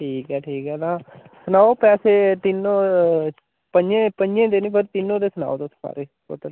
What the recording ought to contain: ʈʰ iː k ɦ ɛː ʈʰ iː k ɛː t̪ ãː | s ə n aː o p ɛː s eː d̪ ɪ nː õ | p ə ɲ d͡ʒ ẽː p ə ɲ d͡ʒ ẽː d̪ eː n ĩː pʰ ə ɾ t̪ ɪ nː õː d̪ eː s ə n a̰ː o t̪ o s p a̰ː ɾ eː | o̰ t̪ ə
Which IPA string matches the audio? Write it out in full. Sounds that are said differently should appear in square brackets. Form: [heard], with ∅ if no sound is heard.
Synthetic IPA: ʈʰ iː k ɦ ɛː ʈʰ iː k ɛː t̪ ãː | s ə n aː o p ɛː s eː [t̪] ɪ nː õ | p ə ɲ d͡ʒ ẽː p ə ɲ d͡ʒ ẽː d̪ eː n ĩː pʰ ə ɾ t̪ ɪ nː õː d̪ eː s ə n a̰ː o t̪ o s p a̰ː ɾ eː | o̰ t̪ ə